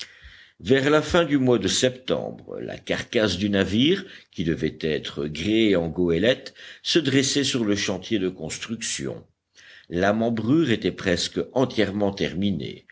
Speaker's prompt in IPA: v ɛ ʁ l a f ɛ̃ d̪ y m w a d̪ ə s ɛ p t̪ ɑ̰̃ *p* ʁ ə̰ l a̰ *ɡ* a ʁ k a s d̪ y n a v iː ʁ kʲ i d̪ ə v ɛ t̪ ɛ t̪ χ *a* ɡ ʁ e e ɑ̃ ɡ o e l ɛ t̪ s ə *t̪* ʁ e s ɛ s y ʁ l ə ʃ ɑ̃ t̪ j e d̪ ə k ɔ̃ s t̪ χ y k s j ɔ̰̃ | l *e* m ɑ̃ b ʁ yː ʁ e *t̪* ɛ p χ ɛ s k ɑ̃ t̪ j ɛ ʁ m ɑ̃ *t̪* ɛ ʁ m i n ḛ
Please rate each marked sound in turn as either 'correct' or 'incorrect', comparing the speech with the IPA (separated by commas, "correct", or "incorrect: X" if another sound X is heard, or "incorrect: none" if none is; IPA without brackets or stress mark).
incorrect: b, incorrect: k, incorrect: ə, incorrect: d̪, incorrect: a, correct, correct